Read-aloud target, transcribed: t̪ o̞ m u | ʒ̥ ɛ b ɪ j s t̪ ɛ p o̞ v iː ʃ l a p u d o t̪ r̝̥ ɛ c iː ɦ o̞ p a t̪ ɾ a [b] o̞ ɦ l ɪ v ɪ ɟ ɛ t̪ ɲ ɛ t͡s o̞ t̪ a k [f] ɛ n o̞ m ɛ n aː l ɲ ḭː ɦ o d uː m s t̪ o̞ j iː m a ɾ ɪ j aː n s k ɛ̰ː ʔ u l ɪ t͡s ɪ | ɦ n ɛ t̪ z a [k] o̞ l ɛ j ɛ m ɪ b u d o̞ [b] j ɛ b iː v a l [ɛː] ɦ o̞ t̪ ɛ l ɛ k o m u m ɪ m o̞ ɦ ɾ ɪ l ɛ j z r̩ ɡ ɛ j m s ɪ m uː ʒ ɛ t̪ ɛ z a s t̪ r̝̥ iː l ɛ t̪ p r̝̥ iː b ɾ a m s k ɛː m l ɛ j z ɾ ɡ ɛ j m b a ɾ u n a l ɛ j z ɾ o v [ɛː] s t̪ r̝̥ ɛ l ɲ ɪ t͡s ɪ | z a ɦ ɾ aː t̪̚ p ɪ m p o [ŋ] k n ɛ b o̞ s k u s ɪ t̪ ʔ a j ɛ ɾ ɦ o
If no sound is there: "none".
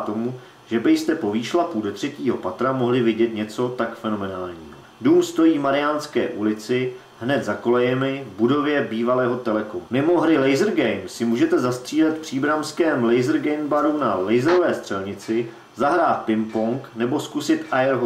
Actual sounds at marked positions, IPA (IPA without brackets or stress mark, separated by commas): m, f, k, v, ɛː, ɛː, ŋ